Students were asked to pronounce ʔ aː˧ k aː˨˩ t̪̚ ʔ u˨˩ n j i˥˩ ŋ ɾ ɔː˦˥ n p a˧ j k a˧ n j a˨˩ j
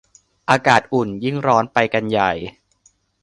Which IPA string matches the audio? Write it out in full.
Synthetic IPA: ʔ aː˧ k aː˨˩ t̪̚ ʔ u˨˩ n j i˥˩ ŋ ɾ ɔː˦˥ n p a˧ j k a˧ n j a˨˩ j